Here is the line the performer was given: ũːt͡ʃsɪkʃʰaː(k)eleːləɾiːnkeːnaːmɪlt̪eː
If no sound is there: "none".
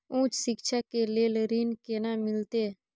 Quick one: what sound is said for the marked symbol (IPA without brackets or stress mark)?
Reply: k